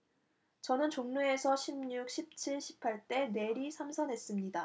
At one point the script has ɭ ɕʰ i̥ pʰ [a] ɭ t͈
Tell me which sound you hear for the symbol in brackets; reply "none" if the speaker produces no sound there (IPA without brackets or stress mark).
a